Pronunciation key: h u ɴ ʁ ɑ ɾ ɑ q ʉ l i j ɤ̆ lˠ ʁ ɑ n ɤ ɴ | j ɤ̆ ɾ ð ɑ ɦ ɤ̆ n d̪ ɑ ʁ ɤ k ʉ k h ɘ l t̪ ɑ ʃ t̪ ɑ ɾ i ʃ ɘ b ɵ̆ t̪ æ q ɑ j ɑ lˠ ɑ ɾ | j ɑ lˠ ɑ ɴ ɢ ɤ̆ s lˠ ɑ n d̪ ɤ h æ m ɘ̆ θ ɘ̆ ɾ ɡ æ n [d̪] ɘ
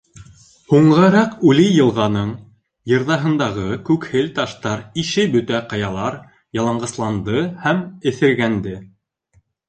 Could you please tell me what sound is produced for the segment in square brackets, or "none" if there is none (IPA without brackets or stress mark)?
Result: d̪